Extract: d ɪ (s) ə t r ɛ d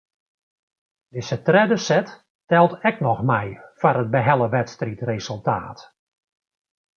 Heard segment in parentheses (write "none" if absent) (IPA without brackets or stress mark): s